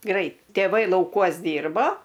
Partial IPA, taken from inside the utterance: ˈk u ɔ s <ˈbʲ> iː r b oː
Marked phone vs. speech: incorrect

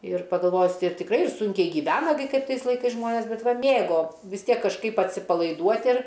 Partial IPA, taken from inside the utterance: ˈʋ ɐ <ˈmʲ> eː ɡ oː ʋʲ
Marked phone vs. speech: correct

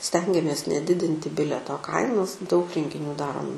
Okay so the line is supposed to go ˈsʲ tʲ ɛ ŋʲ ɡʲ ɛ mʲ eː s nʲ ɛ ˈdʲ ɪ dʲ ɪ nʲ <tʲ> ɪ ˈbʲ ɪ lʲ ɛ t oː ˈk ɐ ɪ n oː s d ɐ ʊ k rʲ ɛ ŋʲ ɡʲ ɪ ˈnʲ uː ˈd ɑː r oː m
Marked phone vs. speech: correct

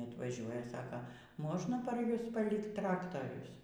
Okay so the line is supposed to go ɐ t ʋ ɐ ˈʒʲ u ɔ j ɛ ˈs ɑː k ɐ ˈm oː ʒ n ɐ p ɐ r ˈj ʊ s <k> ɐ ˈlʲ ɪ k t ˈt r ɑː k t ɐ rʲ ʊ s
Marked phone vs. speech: incorrect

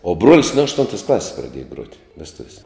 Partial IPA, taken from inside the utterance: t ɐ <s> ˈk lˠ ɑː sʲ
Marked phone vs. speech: correct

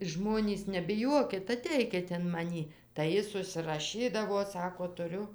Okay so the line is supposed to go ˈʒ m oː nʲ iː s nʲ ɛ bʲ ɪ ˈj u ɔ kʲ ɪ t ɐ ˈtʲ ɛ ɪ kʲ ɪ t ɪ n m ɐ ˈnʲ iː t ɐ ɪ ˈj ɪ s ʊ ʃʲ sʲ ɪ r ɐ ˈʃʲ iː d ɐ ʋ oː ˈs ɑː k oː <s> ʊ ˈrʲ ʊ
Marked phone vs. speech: incorrect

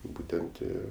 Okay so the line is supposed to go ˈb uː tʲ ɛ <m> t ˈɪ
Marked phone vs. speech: incorrect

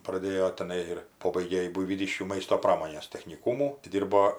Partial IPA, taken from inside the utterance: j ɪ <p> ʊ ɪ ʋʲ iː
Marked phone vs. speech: incorrect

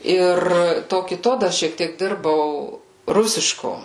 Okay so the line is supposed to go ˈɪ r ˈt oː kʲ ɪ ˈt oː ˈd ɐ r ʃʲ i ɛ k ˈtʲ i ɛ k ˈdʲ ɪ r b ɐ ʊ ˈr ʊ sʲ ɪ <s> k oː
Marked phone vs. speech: incorrect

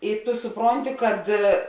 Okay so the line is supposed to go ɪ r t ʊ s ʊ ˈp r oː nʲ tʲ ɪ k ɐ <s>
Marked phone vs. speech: incorrect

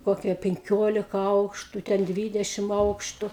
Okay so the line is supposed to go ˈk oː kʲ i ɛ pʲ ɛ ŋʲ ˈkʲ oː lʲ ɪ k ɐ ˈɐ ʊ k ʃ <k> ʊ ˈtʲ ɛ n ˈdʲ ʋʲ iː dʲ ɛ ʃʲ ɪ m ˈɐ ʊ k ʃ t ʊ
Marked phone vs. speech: incorrect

